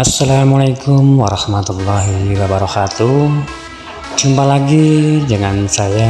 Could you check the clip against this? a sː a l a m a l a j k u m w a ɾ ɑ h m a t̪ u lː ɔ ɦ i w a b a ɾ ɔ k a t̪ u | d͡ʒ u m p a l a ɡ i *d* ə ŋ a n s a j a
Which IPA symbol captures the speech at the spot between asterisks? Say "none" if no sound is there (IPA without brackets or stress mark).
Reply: d͡ʒ